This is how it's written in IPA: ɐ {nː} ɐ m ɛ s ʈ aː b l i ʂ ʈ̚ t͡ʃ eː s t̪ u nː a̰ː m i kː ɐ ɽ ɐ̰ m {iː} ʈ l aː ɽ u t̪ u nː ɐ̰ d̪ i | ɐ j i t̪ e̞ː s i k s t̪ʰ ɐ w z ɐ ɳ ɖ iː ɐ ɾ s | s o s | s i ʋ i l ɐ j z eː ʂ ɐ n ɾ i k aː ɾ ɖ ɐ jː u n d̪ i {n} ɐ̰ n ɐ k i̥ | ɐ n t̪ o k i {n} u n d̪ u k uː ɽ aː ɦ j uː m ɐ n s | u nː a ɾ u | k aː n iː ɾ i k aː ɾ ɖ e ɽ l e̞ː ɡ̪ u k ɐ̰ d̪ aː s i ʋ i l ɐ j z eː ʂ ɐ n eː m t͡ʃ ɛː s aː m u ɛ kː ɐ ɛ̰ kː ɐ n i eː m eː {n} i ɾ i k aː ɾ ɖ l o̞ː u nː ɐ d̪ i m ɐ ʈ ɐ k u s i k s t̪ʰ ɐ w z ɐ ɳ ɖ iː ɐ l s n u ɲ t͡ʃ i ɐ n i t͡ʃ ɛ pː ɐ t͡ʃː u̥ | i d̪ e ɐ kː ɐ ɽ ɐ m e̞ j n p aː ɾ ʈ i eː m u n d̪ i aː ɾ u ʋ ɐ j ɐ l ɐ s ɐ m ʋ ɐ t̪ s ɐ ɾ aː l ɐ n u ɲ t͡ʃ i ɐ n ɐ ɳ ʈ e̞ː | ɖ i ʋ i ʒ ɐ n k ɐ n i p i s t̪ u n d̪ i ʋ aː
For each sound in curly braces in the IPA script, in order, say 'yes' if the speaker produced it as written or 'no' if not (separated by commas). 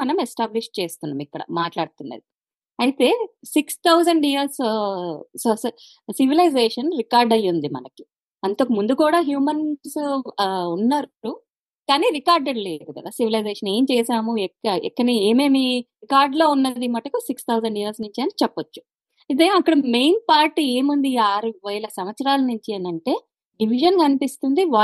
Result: no, no, no, no, no